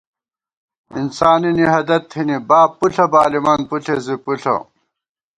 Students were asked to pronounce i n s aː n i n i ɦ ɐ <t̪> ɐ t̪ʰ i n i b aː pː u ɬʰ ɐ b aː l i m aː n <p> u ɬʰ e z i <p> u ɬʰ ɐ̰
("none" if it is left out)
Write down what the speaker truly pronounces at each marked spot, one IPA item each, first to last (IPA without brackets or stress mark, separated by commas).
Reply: d̪, p, p